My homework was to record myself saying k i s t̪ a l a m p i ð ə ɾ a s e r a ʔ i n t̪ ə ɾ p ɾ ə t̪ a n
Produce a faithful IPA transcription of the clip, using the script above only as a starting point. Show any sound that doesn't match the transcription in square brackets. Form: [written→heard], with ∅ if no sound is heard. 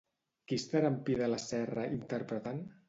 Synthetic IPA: k i s t̪ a [l→ɾ] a m p i ð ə [ɾ→l] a s [e→ɛ] r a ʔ i n t̪ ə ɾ p ɾ ə t̪ a n